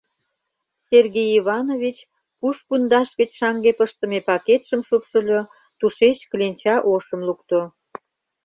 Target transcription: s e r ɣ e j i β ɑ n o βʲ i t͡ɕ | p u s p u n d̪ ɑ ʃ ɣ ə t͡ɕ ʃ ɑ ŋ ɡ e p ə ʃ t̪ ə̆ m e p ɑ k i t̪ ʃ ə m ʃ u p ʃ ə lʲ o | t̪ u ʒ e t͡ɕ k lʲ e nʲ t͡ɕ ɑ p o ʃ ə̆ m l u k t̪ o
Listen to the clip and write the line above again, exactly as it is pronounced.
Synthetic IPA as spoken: s e r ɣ e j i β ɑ n o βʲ i t͡ɕ | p u ʃ p u n d̪ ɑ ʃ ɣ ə t͡ɕ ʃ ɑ ŋ ɡ e p ə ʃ t̪ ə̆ m e p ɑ k e t̪ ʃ ə m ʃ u p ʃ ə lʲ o | t̪ u ʃ e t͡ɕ k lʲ e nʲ t͡ɕ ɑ ʔ o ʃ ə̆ m l u k t̪ o